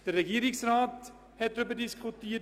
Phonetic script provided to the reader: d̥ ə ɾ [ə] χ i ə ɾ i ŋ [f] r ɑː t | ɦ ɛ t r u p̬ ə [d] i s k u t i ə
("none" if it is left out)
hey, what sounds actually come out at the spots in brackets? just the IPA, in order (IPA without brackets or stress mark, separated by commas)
ə, s, d